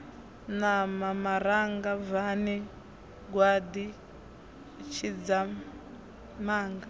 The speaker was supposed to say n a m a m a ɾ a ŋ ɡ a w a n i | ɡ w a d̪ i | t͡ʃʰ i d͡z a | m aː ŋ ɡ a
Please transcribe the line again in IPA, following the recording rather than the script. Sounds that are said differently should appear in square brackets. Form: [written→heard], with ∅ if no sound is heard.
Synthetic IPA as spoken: n a m a m a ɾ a ŋ ɡ a [w→v] a n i | ɡ w a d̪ i | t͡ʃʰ i d͡z a | m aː ŋ ɡ a